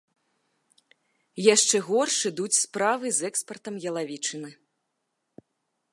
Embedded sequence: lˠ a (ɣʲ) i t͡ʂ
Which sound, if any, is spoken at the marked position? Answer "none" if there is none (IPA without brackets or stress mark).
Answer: vʲ